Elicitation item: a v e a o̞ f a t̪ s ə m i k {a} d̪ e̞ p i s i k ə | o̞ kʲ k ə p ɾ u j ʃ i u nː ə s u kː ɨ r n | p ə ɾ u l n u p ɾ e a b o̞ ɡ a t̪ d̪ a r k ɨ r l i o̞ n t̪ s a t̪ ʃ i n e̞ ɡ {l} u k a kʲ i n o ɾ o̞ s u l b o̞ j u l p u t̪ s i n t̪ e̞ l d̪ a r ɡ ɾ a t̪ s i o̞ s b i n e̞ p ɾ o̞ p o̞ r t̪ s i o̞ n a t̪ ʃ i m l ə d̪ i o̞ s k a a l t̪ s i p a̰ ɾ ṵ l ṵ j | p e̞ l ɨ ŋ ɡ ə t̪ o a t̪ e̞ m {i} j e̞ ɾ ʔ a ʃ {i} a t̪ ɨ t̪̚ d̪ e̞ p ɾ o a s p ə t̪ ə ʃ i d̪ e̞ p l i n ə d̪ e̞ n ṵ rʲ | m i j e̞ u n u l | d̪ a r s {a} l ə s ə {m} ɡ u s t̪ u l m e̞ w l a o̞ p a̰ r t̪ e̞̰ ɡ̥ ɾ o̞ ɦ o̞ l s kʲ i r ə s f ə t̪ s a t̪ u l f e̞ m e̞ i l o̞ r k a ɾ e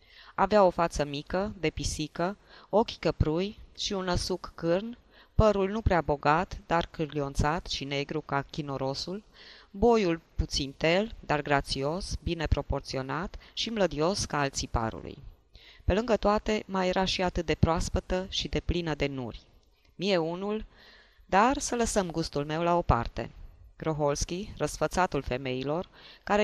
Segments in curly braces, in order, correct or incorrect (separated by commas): incorrect, incorrect, incorrect, correct, incorrect, correct